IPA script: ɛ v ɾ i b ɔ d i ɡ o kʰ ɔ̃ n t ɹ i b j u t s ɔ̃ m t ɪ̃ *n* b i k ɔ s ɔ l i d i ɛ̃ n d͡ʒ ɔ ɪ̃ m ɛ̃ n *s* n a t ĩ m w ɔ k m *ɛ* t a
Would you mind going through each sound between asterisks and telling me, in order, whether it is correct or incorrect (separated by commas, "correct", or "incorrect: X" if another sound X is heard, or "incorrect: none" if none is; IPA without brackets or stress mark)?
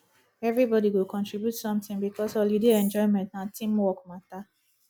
incorrect: ŋ, incorrect: t, incorrect: a